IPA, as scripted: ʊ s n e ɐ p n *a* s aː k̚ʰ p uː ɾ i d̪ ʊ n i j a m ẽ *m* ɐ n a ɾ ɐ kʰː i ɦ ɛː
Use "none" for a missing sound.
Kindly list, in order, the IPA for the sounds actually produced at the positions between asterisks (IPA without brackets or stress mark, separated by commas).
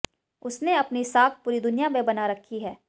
i, b